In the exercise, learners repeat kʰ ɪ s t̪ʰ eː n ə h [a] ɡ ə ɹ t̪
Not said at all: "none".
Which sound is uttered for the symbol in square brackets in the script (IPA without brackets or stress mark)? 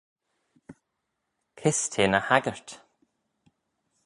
a